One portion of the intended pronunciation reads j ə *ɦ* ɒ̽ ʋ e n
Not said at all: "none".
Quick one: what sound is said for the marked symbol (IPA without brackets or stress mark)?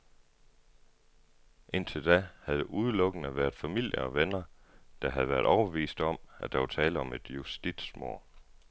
none